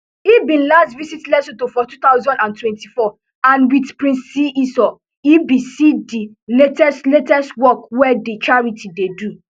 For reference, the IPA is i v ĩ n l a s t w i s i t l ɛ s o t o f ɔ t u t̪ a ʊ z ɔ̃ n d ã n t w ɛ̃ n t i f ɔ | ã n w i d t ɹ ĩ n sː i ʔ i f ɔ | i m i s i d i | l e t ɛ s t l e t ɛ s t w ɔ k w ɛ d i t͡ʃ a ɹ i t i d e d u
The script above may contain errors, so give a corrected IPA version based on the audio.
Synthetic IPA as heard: i b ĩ n l a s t v i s i t l ɛ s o t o f ɔ t u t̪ a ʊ z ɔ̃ n d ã n t w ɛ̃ n t i f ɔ | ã n w i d p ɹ ĩ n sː i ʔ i s ɔ | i b i s i d i | l e t ɛ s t l e t ɛ s t w ɔ k w ɛ d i t͡ʃ a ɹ i t i d e d u

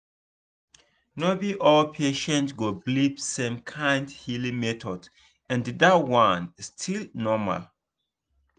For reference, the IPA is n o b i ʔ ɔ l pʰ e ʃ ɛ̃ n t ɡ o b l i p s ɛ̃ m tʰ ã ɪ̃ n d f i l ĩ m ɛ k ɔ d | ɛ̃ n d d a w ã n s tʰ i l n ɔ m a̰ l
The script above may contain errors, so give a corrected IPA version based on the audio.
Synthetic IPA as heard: n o b i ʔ ɔ l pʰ e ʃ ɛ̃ n t ɡ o b l i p s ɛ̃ m kʰ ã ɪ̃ n d h i l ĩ m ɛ t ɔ d | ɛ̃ n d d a w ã n s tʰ i l n ɔ m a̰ l

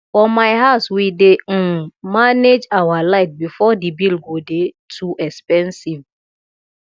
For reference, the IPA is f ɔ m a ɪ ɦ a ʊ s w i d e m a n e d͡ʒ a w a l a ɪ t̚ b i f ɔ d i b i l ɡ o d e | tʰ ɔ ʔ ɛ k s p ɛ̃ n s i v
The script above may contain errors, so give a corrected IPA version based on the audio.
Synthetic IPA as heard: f ɔ m a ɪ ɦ a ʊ s w i d e m a n e d͡ʒ a w a l a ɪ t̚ b i f ɔ d i b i l ɡ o d e | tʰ u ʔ ɛ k s p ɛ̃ n s i v

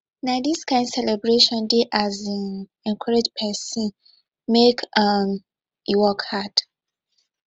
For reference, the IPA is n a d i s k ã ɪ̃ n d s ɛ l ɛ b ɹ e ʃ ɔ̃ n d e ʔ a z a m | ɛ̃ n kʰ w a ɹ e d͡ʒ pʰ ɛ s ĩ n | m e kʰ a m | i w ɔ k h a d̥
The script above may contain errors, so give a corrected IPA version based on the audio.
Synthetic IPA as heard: n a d i s k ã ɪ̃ n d s ɛ l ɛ b ɹ e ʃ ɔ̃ n d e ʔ a z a n | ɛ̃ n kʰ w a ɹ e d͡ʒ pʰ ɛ s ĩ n | m e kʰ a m | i w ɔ k h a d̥

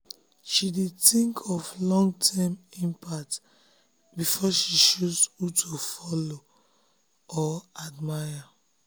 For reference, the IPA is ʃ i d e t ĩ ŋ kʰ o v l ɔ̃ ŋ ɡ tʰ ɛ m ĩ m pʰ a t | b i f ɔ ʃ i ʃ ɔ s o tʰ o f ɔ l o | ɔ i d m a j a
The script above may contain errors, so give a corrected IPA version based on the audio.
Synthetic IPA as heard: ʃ i d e t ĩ ŋ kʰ ɔ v l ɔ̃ ŋ ɡ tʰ ɛ m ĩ m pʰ a t | b i f ɔ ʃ i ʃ u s u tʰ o f ɔ l o | ɔ a d m a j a

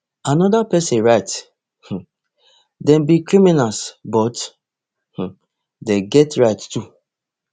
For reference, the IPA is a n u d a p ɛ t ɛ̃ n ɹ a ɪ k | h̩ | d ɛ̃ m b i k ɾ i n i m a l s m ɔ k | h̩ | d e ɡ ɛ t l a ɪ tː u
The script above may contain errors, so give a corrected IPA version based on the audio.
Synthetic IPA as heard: a n ɔ d a p ɛ s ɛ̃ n ɹ a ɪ t | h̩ | d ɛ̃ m b i k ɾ i m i n a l s b ɔ t | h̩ | d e ɡ ɛ t ɹ a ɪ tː u

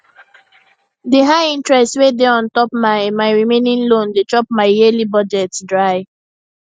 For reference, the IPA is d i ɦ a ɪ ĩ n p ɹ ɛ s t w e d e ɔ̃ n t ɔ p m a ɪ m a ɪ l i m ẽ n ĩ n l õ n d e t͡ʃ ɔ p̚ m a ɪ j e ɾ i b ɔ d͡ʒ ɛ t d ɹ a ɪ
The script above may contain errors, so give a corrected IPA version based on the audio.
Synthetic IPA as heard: d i ɦ a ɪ ĩ n t ɹ ɛ s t w e d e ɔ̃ n t ɔ p m a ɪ m a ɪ ɹ i m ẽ n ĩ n l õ n d e t͡ʃ ɔ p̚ m a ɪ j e l i b ɔ d͡ʒ ɛ t d ɹ a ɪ

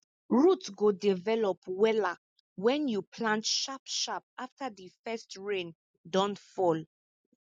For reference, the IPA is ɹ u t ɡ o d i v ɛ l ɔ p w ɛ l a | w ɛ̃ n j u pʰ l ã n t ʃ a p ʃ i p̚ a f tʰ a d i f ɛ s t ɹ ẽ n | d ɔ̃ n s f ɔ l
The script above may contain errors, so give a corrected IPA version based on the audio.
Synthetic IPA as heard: ɹ u t ɡ o d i v ɛ l ɔ p w ɛ l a | w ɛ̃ n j u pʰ l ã n t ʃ a p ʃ a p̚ a f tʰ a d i f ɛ s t ɹ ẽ n | d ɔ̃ n t f ɔ l

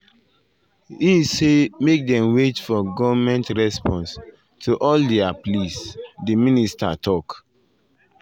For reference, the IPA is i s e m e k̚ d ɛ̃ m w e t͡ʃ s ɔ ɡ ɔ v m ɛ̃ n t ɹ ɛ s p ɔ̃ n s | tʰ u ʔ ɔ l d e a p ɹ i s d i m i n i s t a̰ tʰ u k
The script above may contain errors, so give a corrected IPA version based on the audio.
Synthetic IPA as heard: i s e m e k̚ d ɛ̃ m w e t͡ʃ f ɔ ɡ ɔ v m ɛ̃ n t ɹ ɛ s p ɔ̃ n s | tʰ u ʔ ɔ l d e a p l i s d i m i n i s t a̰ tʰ ɔ k

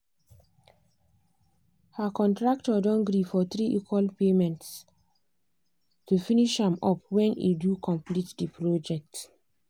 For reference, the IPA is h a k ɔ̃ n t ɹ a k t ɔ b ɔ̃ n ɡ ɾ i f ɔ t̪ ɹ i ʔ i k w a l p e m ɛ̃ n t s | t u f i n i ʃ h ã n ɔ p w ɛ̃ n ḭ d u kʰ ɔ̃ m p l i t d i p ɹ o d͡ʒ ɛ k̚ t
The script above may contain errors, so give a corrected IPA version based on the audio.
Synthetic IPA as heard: h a k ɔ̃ n t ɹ a k t ɔ d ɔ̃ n ɡ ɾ i f ɔ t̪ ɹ i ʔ i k w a l p e m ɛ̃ n t s | t u f i n i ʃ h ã m ɔ p w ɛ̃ n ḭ d u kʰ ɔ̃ m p l i t d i p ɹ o d͡ʒ ɛ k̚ t

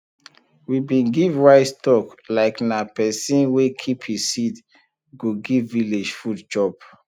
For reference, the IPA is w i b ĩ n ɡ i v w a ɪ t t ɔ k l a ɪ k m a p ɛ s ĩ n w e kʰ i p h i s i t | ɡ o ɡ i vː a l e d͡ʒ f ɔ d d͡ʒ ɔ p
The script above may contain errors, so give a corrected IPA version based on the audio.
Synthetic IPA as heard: w i b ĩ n ɡ i v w a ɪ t t ɔ k l a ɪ k n a p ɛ s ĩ n w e kʰ i p h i s i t | ɡ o ɡ i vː i l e d͡ʒ f u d d͡ʒ ɔ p

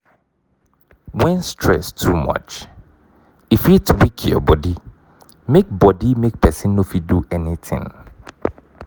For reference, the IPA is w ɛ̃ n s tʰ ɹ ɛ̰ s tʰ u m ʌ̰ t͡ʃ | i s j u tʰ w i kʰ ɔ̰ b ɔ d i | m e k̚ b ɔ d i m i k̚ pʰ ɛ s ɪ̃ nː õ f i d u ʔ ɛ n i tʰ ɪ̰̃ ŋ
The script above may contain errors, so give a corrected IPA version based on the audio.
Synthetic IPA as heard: w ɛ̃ n s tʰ ɹ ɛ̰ s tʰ u m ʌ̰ t͡ʃ | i f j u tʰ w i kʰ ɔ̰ b ɔ d i | m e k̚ b ɔ d i m e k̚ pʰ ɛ s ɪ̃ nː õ f i d u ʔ ɛ n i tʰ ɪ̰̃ ŋ

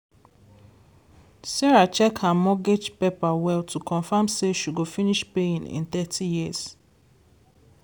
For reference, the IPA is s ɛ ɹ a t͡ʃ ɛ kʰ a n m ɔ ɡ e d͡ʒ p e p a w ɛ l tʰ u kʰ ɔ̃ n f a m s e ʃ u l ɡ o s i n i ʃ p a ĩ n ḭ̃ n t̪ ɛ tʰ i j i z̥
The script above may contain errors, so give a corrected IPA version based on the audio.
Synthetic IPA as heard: s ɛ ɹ a t͡ʃ ɛ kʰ a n m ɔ ɡ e d͡ʒ p e p a w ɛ l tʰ u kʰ ɔ̃ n f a m s e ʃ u ɡ o f i n i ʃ p e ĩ n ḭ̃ n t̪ ɛ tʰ i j i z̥

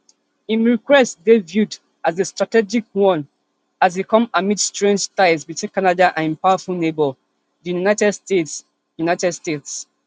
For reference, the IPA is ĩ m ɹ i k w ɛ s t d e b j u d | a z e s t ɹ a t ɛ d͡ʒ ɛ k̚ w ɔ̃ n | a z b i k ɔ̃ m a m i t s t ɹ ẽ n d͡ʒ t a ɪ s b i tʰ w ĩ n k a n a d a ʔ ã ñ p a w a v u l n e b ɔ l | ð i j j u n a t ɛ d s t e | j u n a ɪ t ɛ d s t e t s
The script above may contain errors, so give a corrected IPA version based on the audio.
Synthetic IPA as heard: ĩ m ɹ i k w ɛ s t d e v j u d | a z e s t ɹ a t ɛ d͡ʒ i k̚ w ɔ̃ n | a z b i k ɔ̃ m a m i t s t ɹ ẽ n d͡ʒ t a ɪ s b i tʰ w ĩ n k a n a d a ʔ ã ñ p a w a f u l n e b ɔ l | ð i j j u n a t ɛ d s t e | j u n a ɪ t ɛ d s t e t s

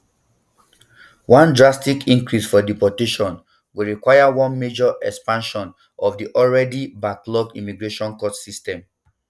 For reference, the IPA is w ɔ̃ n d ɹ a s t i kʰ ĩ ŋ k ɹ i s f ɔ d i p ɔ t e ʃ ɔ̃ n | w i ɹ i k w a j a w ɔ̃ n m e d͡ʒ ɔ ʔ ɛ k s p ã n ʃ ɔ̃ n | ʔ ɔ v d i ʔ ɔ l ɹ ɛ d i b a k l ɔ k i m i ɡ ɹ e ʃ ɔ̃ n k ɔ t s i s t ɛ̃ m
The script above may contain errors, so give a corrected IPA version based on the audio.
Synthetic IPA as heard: w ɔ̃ n d ɹ a s t i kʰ ĩ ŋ k ɹ i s f ɔ d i p ɔ t e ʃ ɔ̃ n | w i ɹ i k w a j a w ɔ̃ n m e d͡ʒ ɔ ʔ ɛ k s p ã n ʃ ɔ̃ n | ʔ ɔ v d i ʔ ɔ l ɹ ɛ d i b a k l ɔ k i m i ɡ ɹ e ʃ ɔ̃ n k ɔ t s i s t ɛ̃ m

